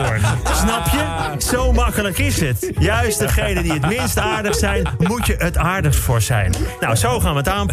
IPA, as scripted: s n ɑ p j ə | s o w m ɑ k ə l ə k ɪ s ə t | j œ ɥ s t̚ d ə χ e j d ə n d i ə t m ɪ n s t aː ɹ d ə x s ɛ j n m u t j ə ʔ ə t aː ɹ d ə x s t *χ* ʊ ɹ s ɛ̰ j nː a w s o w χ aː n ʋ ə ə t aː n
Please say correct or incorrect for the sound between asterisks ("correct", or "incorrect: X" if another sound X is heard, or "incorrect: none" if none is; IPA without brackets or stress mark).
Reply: incorrect: f